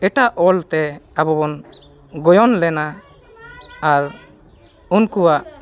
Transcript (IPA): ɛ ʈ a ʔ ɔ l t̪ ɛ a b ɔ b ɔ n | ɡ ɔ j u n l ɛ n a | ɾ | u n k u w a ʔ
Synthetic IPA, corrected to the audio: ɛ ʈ a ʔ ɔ l t̪ ɛ a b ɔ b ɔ n | ɡ ɔ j ɔ n l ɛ n a | ɾ | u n k u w a ʔ